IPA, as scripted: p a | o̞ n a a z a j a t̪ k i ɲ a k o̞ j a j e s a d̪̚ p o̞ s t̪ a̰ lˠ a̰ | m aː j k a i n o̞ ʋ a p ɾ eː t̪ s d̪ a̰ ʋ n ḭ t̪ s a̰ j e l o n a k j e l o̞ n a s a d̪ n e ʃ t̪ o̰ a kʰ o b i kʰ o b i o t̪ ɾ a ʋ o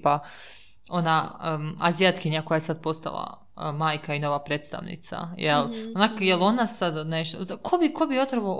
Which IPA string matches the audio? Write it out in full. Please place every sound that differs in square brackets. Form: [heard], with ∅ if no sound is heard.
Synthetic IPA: p a | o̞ n a a z [i] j a t̪ k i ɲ a k o̞ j a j e s a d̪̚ p o̞ s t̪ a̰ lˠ a̰ | m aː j k a i n o̞ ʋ a p ɾ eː t̪ s [t̪] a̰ ʋ n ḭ t̪ s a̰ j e l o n a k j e l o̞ n a s a d̪ n e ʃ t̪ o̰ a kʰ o b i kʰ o b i o t̪ ɾ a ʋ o